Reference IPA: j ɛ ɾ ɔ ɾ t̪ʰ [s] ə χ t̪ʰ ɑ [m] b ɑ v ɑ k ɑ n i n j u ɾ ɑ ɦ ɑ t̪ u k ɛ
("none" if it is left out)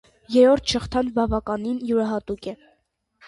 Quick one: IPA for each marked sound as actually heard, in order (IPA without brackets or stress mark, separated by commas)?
ʃ, n